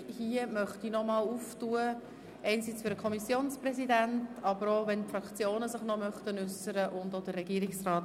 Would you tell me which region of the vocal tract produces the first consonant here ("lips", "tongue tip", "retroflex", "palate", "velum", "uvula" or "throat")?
throat